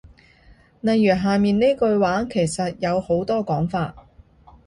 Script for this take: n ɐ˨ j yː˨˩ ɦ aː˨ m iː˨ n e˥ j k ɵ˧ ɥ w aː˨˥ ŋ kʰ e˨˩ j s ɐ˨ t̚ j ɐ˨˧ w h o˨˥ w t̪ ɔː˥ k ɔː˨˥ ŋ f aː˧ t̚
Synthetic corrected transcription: n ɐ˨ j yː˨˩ ɦ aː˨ m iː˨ n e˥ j k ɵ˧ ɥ w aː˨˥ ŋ kʰ e˨˩ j s ɐ˨ t̚ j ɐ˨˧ w h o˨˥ w t̪ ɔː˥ k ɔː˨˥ ŋ f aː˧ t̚